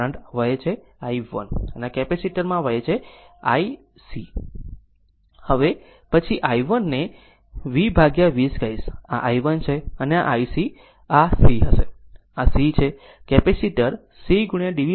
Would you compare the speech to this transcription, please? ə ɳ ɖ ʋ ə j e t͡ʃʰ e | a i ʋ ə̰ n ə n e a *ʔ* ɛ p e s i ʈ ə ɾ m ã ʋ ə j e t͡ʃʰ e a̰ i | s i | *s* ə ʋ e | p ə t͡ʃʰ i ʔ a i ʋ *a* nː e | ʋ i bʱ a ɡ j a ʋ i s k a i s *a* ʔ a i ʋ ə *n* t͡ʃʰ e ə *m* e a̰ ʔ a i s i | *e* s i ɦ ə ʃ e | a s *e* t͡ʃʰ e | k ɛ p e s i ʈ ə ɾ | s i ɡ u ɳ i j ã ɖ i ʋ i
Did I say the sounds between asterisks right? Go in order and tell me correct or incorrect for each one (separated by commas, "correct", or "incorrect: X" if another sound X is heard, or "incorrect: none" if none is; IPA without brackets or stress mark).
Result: incorrect: k, incorrect: h, incorrect: ə, correct, correct, incorrect: n, incorrect: a, incorrect: i